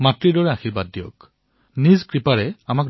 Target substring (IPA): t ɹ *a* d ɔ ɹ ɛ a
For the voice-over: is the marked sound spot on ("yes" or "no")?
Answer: no